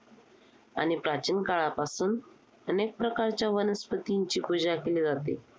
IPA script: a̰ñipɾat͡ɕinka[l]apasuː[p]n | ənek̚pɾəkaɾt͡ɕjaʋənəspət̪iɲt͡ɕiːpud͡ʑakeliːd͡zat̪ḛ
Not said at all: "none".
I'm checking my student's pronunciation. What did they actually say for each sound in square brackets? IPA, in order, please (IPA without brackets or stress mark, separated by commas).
ɭ, none